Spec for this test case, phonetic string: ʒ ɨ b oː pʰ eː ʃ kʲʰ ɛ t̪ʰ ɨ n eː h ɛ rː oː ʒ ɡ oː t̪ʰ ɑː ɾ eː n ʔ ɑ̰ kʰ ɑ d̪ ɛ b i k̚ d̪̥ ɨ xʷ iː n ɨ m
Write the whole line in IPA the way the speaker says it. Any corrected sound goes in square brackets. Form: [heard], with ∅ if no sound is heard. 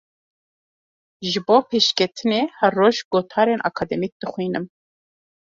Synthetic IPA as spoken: ʒ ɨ b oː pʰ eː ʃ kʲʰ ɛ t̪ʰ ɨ n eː h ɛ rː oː ʒ ɡ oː t̪ʰ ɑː ɾ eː n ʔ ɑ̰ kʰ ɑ d̪ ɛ [m] i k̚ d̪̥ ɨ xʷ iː n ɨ m